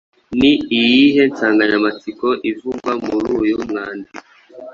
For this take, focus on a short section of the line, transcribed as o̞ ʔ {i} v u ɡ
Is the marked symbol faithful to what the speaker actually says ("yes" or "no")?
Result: yes